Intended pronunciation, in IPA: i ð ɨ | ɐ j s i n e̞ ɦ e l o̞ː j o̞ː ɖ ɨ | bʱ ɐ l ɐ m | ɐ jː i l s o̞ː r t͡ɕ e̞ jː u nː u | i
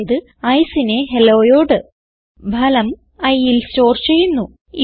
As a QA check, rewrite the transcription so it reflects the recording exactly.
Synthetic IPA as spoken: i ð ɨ | ɐ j s i n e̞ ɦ e l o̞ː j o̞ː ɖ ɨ | bʱ ɐ l ɐ m | ɐ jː i l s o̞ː r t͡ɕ e̞ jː u nː u | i